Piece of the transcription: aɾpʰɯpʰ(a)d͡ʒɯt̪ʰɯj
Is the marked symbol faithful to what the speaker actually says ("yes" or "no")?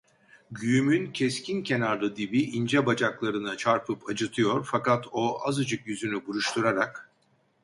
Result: yes